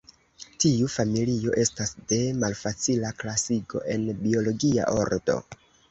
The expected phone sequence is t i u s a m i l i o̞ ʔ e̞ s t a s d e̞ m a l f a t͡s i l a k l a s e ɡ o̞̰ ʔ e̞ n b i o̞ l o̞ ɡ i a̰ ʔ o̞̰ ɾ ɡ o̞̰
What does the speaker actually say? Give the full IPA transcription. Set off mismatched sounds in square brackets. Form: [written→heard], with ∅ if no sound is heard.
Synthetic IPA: t i u [s→f] a m i l i o̞ ʔ e̞ s t a s d e̞ m a l f a t͡s i l a k l a s [e→i] ɡ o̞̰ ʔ e̞ n b i o̞ l o̞ ɡ i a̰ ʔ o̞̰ ɾ [ɡ→d] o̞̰